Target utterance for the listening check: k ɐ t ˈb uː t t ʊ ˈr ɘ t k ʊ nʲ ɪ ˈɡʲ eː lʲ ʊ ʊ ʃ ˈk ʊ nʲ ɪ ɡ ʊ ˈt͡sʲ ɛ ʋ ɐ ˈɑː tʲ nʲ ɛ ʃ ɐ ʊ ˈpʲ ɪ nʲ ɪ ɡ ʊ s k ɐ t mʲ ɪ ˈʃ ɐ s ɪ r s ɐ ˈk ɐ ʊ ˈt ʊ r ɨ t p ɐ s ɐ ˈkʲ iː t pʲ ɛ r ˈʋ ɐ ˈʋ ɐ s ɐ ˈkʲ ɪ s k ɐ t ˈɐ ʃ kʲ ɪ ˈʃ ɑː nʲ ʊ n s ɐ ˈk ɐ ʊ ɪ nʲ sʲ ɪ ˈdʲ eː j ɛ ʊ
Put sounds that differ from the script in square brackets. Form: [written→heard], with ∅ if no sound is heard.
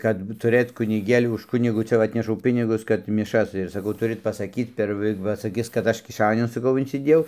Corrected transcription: k ɐ t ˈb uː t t ʊ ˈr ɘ t k ʊ nʲ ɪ ˈɡʲ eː lʲ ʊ ʊ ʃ ˈk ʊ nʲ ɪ ɡ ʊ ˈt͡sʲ ɛ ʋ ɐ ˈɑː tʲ nʲ ɛ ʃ ɐ ʊ ˈpʲ ɪ nʲ ɪ ɡ ʊ s k ɐ t mʲ ɪ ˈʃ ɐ s ɪ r s ɐ ˈk ɐ ʊ ˈt ʊ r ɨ t p ɐ s ɐ ˈkʲ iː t pʲ ɛ r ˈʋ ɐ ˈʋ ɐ s ɐ ˈkʲ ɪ s k ɐ t ˈɐ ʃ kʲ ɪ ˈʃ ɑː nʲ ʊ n s ɐ ˈk ɐ ʊ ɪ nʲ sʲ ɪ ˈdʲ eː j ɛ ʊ